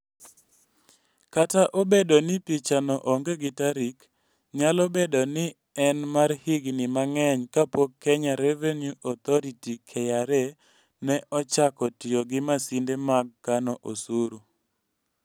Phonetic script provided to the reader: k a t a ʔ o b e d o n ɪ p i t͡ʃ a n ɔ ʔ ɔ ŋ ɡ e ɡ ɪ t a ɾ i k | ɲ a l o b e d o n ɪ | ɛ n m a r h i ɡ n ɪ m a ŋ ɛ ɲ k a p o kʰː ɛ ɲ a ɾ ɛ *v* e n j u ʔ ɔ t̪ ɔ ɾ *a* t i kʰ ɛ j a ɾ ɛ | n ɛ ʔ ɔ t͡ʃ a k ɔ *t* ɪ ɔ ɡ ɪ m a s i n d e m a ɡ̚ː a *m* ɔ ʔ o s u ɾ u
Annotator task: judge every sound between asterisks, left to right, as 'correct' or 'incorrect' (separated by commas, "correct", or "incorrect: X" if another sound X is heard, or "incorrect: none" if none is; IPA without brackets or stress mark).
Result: correct, incorrect: i, correct, incorrect: n